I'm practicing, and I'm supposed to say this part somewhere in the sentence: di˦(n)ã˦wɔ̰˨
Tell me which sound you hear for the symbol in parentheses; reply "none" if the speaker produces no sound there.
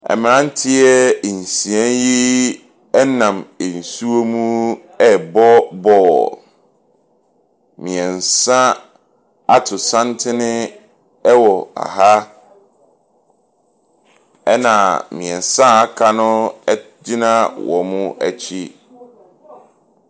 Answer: n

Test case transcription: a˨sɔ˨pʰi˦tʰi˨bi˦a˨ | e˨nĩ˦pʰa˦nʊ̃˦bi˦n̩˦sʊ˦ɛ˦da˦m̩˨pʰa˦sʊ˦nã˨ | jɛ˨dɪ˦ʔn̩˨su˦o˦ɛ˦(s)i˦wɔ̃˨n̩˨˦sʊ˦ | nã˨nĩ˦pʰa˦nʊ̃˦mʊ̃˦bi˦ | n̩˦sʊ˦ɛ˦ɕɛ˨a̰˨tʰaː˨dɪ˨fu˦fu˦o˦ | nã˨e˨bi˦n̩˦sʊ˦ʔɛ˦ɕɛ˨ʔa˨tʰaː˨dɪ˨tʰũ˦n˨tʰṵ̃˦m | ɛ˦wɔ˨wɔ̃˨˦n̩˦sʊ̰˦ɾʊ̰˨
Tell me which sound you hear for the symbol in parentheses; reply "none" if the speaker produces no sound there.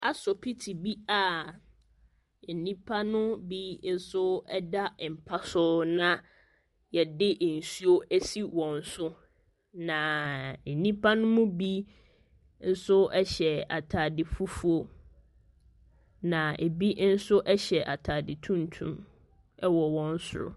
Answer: s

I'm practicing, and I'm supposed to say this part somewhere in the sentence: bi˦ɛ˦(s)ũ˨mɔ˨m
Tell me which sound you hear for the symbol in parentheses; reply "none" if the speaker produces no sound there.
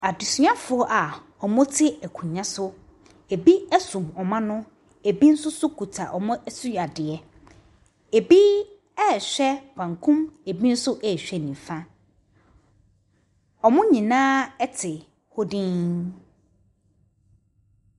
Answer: s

